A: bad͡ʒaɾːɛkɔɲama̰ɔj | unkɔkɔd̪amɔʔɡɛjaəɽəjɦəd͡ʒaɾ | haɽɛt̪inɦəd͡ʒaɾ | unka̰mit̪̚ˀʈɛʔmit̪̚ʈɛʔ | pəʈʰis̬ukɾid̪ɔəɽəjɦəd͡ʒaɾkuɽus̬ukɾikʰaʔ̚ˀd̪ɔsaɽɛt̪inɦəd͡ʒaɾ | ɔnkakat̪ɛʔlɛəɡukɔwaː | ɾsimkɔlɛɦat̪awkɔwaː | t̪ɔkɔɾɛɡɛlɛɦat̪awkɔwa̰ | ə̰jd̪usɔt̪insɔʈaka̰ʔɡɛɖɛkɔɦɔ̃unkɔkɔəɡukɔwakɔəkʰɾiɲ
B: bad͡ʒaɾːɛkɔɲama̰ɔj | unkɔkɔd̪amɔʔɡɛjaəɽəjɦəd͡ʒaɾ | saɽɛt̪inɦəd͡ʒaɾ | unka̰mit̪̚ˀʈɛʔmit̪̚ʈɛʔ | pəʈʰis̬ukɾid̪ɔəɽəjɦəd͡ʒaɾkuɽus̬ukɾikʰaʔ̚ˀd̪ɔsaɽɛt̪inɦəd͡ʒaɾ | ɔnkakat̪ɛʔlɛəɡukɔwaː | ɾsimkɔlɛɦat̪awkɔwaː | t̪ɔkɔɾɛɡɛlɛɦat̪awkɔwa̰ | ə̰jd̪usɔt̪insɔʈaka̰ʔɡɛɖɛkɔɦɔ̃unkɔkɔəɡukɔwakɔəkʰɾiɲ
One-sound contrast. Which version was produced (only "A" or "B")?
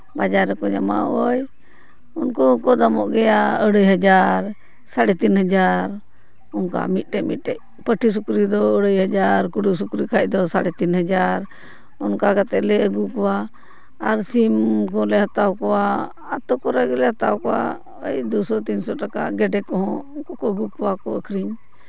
B